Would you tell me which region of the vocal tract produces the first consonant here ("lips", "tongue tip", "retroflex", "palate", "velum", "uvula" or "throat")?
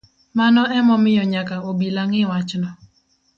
lips